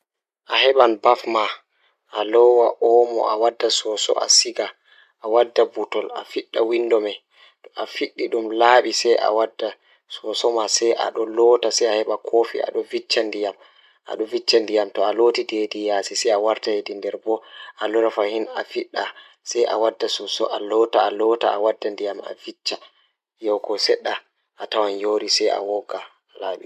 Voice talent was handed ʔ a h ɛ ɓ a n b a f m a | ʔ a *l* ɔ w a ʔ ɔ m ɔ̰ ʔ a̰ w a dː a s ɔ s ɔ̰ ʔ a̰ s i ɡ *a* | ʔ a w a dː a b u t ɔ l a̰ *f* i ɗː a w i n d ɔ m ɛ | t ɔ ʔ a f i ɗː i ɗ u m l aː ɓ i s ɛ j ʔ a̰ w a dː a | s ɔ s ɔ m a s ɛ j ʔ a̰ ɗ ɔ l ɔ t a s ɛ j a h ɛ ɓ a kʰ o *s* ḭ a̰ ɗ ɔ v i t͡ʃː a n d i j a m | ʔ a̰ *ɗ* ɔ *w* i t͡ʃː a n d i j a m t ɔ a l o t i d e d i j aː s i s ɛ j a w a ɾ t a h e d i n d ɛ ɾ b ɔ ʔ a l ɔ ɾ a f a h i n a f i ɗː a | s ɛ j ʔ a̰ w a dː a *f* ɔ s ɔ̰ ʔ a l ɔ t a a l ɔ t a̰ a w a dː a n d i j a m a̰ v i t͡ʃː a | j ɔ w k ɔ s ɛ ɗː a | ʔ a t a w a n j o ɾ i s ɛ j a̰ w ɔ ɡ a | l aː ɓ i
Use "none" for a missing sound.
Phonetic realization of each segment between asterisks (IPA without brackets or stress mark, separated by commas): l, a, f, f, ɗ, v, s